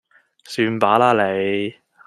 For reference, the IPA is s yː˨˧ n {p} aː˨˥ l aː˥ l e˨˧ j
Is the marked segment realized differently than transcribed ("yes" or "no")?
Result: no